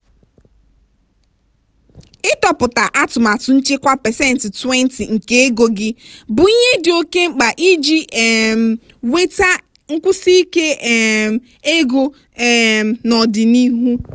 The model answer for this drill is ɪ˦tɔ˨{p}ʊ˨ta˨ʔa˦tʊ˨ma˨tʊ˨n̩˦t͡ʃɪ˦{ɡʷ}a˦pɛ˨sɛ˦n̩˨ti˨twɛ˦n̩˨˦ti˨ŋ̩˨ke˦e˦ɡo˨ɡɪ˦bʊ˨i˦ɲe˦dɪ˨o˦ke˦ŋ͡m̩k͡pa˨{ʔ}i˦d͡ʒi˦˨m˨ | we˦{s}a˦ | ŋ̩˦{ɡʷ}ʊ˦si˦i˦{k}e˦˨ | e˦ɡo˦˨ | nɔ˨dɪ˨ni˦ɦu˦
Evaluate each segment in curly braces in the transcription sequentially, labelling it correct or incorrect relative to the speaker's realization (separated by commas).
correct, incorrect, correct, incorrect, incorrect, correct